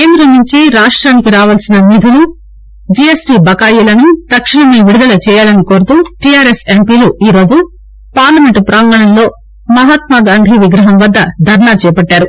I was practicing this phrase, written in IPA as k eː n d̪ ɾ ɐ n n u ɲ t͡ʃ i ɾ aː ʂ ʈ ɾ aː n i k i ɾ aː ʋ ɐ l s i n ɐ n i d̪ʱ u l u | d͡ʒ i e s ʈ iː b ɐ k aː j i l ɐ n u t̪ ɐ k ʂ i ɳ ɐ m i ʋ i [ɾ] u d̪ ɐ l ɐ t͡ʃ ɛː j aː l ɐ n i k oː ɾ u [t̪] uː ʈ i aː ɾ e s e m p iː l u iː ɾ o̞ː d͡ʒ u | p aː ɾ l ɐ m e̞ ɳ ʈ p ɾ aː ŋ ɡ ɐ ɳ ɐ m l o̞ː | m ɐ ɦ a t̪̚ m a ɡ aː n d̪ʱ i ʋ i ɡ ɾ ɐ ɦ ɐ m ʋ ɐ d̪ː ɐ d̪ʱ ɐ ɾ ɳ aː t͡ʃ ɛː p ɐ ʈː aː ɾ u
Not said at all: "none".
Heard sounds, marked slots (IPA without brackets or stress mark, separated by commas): ɽ, t̪